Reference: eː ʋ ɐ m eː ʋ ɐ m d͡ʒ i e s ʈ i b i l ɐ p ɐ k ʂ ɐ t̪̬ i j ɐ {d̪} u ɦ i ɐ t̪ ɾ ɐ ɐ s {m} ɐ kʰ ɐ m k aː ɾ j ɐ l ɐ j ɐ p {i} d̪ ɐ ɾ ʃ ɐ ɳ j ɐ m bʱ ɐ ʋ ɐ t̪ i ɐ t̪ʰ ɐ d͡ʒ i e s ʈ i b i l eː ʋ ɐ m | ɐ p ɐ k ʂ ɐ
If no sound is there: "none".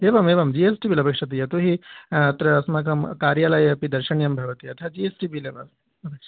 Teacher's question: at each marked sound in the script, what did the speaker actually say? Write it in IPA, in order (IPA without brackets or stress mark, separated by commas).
t̪, m, i